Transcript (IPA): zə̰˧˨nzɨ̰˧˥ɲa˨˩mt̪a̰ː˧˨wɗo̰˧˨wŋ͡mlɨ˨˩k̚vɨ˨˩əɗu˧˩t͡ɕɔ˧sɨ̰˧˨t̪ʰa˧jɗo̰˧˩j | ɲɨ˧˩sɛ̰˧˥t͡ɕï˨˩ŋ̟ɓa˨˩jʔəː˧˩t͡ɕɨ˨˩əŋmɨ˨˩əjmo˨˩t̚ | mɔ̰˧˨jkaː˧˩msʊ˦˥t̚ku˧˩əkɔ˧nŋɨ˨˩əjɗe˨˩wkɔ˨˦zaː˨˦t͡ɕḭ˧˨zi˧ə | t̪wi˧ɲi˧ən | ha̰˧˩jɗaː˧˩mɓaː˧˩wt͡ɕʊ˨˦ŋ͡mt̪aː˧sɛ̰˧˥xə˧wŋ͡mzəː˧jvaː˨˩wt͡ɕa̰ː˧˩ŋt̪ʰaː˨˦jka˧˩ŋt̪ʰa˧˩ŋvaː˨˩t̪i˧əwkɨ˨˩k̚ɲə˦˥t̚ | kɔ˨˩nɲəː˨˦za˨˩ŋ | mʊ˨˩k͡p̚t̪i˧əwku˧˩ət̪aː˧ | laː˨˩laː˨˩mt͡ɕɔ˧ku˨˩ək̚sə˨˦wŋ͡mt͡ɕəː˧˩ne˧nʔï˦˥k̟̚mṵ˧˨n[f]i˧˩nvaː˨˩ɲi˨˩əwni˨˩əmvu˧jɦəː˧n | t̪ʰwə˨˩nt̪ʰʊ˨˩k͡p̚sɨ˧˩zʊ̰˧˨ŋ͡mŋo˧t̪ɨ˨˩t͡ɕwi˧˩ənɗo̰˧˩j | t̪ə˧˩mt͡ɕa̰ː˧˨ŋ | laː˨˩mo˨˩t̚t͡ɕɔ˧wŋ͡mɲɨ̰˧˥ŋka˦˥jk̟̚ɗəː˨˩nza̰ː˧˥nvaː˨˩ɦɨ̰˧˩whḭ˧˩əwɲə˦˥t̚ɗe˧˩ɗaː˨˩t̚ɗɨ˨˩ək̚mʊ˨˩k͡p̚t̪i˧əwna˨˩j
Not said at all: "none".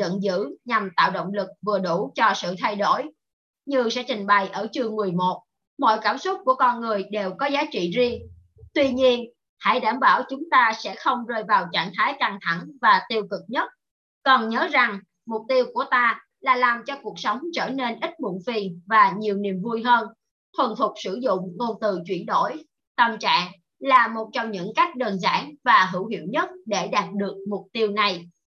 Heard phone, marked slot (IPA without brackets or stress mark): f